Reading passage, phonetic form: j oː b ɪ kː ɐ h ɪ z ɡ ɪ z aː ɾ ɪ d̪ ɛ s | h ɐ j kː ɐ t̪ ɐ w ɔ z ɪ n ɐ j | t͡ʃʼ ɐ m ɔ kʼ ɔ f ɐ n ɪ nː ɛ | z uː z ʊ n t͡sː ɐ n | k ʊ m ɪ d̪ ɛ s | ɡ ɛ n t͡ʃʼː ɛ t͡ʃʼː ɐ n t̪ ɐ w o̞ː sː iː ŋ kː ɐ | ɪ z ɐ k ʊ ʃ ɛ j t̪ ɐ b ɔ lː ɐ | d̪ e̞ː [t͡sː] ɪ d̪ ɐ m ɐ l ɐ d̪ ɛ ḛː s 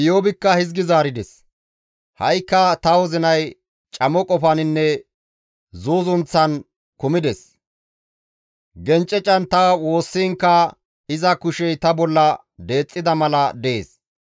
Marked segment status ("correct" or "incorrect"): incorrect